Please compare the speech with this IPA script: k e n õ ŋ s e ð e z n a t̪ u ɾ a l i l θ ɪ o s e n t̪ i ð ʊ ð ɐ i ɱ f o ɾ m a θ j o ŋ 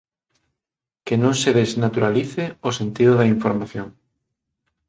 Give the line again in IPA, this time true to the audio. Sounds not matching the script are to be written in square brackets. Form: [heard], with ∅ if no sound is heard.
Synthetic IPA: k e n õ ŋ s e ð e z n a t̪ u ɾ a l i [∅] θ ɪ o s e n t̪ i ð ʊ ð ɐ i ɱ f o ɾ m a θ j o ŋ